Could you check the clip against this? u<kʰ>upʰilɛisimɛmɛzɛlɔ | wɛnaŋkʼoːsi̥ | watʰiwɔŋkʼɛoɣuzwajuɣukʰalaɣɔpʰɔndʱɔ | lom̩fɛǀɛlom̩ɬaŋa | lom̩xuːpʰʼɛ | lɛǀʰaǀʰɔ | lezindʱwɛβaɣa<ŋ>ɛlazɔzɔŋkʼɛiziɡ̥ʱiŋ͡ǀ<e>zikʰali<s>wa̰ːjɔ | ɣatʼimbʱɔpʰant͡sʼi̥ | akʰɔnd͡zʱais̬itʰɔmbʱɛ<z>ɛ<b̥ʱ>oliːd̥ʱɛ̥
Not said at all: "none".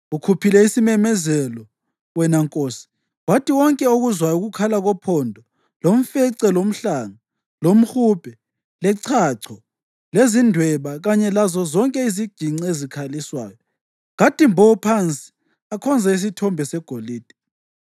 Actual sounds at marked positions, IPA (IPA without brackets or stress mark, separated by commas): kʰ, ɲ, e, s, s, ɡ̥ʱ